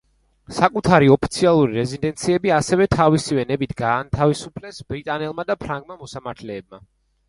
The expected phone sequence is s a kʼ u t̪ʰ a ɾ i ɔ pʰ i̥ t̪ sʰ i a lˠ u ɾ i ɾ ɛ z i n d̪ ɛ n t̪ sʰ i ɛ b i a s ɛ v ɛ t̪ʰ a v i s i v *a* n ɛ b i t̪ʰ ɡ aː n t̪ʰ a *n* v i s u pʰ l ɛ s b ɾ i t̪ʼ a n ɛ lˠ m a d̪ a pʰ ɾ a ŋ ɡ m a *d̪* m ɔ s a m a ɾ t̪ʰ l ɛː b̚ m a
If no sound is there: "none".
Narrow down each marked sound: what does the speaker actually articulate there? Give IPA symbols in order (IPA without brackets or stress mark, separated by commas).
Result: ɛ, none, none